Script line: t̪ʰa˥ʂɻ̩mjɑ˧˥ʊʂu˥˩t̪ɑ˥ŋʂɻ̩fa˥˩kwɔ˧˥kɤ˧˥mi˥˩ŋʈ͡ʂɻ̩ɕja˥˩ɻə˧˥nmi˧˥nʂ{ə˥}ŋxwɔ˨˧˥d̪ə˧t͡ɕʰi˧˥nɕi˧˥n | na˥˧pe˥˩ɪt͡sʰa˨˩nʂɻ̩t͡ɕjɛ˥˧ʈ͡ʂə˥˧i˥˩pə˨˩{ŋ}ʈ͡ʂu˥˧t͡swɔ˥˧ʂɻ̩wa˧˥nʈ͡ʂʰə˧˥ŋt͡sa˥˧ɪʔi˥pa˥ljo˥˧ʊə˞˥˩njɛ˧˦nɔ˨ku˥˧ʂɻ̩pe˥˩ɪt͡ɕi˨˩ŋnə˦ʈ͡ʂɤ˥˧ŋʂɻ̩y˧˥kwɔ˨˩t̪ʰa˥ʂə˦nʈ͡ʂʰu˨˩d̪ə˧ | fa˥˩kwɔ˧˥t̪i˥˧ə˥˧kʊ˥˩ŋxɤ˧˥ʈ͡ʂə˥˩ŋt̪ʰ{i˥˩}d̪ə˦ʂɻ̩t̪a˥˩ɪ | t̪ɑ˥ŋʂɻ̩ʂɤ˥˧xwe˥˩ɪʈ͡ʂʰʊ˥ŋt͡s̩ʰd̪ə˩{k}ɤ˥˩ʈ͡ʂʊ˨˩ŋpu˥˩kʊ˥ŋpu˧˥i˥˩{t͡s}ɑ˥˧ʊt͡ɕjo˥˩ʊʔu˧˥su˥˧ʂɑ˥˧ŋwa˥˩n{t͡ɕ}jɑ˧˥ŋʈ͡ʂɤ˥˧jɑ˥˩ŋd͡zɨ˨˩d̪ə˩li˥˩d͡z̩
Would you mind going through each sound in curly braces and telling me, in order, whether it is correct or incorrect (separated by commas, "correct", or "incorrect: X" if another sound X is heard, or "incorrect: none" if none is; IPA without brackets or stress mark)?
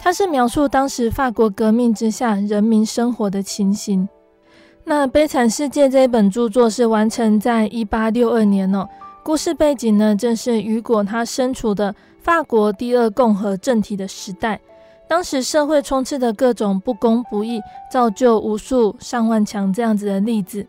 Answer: correct, incorrect: n, incorrect: i˨˩, correct, correct, incorrect: t͡ɕʰ